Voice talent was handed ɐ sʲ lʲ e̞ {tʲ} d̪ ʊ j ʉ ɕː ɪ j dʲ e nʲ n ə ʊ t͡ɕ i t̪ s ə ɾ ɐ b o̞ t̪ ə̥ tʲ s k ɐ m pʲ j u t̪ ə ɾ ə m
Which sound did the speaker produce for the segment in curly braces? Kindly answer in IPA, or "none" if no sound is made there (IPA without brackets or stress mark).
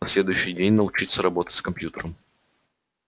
none